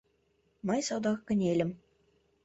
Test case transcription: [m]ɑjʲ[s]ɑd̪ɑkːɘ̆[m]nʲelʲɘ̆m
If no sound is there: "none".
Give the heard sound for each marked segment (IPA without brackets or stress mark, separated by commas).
m, s, none